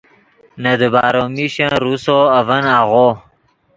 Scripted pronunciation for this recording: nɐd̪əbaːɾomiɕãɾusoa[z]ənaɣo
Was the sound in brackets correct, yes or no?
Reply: no